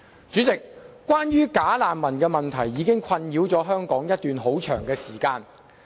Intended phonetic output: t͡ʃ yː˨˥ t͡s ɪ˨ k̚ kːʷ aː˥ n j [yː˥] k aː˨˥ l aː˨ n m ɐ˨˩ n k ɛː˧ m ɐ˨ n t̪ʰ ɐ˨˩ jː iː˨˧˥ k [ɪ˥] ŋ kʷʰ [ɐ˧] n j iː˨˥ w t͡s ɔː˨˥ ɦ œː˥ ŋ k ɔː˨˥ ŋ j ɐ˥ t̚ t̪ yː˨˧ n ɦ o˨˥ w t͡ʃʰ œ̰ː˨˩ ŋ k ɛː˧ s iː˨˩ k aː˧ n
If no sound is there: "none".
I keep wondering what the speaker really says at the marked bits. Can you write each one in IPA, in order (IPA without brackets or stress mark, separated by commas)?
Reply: yː˥, ɪ˥, ɐ˧